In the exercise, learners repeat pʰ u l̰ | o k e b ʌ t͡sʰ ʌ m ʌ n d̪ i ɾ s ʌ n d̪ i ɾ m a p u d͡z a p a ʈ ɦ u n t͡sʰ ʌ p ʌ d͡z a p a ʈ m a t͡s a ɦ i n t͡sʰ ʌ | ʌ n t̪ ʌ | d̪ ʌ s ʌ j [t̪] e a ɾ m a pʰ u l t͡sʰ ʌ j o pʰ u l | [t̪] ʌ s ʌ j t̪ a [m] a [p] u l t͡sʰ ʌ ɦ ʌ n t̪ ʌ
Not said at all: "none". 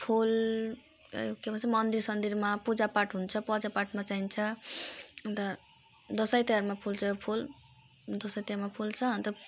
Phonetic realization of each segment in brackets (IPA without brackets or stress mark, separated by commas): t̪, d̪, m, pʰ